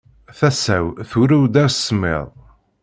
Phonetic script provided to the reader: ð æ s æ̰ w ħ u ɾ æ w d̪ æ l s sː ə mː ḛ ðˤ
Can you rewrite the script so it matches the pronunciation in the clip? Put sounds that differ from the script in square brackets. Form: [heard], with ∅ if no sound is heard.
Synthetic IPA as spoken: [θ] æ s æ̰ w [θ] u ɾ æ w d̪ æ [ɾ] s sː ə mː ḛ ðˤ